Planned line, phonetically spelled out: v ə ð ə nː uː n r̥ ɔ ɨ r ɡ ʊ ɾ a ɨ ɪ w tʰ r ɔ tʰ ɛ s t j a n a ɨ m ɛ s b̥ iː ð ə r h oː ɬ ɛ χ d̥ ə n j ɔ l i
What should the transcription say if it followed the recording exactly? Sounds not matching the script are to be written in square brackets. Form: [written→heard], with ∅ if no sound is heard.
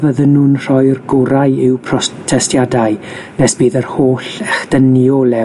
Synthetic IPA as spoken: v ə ð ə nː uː n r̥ ɔ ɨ r ɡ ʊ ɾ a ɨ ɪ w [tʰ→pʰ] r ɔ tʰ ɛ s t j a [n→d] a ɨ [m→n] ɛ s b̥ iː ð ə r h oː ɬ ɛ χ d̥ ə n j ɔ l [i→ɛ]